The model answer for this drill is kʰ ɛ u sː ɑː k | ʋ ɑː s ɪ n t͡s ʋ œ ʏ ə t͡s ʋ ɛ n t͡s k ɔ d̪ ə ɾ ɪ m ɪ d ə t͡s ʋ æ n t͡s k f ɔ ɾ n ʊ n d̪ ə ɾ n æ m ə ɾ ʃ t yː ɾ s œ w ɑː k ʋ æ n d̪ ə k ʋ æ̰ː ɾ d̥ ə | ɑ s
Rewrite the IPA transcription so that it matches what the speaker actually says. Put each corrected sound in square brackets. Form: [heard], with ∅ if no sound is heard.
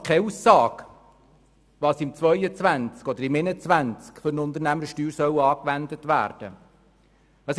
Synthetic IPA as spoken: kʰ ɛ u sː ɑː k | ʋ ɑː s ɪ [m] t͡s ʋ œ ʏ ə t͡s ʋ [æ] n t͡s k ɔ d̪ ə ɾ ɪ m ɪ [n] ə t͡s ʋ æ n t͡s k f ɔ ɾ n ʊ n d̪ ə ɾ n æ m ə ɾ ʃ t yː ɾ s œ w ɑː k ʋ æ n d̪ ə [t] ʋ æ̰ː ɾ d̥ ə | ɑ s